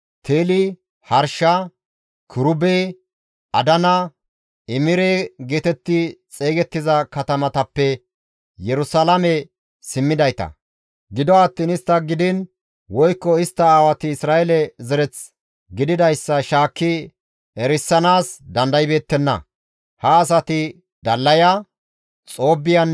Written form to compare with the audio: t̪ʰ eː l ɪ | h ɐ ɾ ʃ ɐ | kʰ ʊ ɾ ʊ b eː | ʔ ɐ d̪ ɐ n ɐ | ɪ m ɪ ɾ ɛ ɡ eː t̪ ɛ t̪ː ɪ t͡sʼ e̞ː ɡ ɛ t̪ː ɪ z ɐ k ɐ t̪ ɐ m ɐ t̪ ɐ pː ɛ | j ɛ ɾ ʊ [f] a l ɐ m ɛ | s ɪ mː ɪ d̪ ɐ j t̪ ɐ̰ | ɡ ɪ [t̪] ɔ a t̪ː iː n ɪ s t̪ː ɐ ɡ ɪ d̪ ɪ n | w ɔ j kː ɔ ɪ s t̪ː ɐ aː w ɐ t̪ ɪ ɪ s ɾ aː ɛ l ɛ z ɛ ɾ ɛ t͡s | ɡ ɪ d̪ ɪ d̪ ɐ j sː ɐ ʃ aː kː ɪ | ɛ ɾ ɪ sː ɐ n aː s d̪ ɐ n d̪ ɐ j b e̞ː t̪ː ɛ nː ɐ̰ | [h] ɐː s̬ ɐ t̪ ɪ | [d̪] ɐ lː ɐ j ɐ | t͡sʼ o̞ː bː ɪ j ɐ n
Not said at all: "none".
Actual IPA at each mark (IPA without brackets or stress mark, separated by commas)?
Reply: s, d̪, h, d̪